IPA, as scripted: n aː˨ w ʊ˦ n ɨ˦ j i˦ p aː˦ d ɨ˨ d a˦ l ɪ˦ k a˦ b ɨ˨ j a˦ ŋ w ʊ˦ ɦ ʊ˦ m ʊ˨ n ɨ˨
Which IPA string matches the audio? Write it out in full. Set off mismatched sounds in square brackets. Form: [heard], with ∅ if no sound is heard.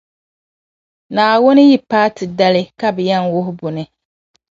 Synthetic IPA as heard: n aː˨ w ʊ˦ n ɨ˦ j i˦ p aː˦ [t] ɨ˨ d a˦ l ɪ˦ k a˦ b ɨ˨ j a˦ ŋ w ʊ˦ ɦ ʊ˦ [b] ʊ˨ n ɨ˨